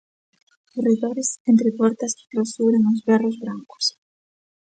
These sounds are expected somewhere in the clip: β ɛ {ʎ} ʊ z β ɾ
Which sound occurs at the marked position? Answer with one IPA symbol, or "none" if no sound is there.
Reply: r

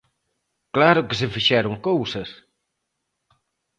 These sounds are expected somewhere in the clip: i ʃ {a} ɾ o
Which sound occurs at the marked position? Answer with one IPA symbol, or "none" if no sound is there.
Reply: ɛ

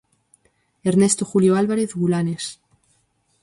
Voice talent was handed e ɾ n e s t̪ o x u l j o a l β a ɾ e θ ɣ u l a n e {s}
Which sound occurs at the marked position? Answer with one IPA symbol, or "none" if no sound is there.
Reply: s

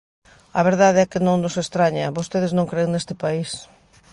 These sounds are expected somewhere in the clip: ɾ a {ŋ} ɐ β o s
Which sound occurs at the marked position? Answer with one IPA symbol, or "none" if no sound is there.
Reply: ɲ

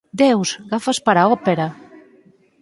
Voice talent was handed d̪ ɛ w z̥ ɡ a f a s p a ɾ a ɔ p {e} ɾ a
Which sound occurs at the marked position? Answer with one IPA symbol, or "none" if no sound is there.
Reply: e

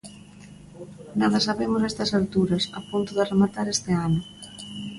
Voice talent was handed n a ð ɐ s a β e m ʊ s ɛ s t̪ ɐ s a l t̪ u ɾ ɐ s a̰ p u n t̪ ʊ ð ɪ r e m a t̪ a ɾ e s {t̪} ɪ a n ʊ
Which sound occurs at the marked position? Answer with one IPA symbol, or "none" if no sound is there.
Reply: t̪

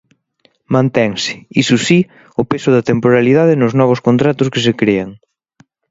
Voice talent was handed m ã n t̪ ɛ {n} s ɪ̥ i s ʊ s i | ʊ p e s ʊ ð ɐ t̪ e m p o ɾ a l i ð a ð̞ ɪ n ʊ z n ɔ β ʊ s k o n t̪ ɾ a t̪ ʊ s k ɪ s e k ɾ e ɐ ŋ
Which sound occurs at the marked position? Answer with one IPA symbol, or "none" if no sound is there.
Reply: ŋ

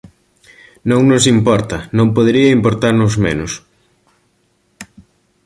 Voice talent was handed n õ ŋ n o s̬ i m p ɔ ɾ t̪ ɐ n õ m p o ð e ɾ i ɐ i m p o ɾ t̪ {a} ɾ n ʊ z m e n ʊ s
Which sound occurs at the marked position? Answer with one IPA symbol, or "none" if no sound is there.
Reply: a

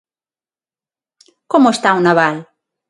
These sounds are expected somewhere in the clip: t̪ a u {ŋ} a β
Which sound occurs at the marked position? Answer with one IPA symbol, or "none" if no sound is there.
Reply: n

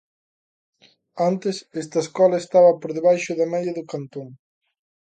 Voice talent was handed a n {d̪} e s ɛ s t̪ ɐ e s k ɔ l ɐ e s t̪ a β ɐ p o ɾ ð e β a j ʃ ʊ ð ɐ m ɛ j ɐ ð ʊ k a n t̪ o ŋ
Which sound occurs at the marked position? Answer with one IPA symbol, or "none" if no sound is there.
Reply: t̪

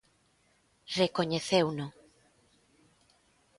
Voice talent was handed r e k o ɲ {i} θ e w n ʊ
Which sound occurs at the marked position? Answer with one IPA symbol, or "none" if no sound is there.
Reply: e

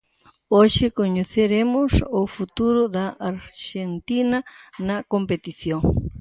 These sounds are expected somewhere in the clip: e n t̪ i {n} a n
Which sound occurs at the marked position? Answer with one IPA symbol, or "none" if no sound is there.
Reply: n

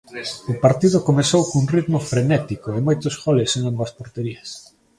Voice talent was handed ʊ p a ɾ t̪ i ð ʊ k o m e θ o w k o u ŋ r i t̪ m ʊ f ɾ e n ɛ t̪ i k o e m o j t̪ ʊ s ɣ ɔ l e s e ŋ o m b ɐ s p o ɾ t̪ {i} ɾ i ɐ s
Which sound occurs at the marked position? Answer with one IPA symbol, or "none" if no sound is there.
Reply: e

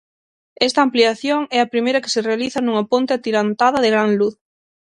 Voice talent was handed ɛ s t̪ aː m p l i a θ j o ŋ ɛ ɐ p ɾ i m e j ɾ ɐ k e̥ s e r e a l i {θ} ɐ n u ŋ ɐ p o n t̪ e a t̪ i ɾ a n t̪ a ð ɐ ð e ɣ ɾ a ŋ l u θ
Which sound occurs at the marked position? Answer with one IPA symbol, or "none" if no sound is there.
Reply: θ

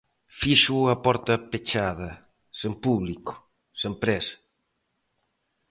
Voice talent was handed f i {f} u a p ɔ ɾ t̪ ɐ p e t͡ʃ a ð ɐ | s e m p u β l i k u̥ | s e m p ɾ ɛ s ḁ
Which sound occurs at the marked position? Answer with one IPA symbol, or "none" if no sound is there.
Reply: ʃ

